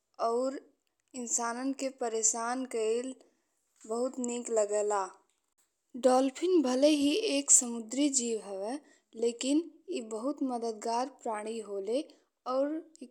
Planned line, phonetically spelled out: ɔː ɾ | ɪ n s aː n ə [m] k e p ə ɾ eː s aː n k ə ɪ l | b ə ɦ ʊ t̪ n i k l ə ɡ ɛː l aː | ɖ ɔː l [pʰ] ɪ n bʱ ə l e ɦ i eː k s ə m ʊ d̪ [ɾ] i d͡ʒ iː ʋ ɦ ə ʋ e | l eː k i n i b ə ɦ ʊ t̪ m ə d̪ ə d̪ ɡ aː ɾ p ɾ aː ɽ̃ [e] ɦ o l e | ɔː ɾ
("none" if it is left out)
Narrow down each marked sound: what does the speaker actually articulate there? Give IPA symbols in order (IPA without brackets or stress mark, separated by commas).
n, pʰ, ɾ, i